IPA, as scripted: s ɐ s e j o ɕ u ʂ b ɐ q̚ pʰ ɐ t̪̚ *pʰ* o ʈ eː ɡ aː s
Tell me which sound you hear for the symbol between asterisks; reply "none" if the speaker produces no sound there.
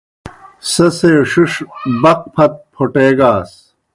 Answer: pʰ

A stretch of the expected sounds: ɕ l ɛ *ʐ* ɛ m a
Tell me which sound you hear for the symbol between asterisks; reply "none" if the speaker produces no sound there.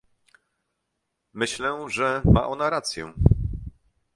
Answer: ʐ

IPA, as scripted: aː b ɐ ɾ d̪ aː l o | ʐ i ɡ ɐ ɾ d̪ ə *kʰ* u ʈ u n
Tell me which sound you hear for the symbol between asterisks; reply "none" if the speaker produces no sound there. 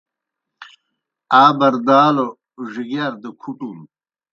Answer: kʰ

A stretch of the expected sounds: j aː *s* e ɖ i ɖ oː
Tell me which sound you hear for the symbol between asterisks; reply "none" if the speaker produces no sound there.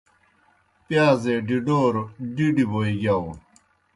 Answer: z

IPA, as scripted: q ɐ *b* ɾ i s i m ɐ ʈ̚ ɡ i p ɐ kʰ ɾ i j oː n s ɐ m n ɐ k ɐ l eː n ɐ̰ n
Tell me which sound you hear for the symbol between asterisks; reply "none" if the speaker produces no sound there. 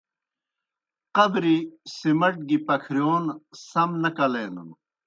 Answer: b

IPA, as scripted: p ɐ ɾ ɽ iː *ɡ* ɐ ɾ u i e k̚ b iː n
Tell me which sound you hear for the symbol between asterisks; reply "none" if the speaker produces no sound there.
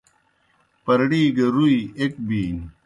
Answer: ɡ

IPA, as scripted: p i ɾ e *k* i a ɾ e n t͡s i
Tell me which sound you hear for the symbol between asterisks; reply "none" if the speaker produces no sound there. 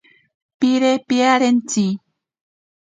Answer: p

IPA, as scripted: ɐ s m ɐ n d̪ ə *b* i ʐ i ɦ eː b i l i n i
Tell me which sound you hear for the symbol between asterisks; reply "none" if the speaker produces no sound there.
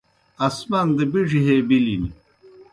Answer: b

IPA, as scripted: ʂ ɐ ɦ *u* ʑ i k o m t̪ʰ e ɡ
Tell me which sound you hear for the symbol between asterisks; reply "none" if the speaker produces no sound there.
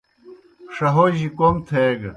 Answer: o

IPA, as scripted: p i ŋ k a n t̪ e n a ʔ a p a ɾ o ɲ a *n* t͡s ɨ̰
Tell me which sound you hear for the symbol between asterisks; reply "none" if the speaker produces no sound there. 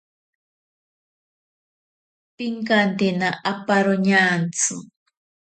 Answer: n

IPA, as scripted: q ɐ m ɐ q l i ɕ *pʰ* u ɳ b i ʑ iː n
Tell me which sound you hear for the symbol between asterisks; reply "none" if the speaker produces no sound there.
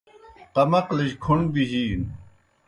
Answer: kʰ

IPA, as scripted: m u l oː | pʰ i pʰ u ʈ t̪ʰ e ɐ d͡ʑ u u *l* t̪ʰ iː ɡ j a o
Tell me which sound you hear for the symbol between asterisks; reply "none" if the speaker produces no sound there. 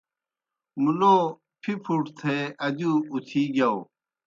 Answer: none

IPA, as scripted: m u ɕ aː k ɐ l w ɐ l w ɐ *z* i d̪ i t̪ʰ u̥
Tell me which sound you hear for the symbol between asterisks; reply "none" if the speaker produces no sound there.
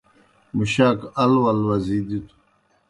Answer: z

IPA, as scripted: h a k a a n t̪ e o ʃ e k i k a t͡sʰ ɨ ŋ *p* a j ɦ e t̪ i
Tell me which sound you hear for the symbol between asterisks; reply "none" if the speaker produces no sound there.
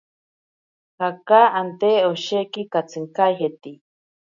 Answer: k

